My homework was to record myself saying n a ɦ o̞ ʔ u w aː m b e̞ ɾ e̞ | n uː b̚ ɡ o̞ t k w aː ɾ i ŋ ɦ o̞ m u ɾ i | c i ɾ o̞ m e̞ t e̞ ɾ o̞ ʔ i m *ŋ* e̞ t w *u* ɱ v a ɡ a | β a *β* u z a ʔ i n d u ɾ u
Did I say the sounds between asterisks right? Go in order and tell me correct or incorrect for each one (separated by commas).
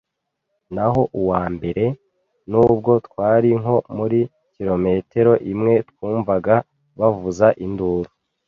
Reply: correct, incorrect, incorrect